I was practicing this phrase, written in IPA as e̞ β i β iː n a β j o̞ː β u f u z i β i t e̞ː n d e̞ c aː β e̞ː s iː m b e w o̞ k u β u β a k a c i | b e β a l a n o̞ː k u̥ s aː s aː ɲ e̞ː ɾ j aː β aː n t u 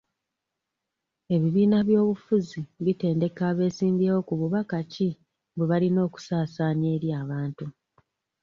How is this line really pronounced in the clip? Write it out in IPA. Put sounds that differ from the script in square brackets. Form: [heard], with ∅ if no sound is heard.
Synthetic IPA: e̞ β i β iː n a β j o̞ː β u f u z i β i t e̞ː n d e̞ [k] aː β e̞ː s iː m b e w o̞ k u β u β a k a c i | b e β a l [i] n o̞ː k u̥ s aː s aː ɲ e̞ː ɾ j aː β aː n t u